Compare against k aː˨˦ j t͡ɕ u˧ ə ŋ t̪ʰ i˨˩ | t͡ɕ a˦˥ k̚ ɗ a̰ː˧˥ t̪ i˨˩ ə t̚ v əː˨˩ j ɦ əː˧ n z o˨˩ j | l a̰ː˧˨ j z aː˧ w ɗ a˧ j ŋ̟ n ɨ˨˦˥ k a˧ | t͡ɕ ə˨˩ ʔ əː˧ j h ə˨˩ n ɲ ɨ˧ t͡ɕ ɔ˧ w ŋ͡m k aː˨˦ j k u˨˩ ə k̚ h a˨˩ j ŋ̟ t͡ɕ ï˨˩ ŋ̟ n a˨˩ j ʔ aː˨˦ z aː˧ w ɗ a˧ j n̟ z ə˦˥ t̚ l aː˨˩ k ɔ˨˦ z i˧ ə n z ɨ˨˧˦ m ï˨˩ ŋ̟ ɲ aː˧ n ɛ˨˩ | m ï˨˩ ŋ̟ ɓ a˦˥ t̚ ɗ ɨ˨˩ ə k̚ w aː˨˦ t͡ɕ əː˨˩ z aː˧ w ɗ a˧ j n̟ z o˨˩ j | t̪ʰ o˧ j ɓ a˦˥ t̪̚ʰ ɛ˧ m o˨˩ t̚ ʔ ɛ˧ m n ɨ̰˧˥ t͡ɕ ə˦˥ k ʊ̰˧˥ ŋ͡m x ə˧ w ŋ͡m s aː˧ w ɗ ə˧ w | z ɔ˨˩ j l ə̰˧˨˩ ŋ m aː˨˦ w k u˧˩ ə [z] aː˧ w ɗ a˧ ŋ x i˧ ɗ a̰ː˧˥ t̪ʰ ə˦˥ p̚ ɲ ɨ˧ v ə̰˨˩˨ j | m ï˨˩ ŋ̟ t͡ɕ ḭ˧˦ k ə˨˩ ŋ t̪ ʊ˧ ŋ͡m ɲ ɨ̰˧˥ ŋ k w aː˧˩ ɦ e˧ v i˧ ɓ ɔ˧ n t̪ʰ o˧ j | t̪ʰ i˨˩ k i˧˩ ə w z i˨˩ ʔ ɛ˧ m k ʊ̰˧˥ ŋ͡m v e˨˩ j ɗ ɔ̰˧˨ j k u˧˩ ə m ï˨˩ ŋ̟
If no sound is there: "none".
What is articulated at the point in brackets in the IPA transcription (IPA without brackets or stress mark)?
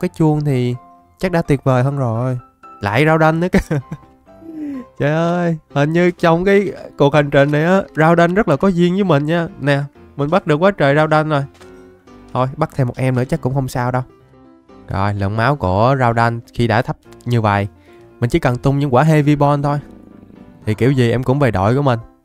z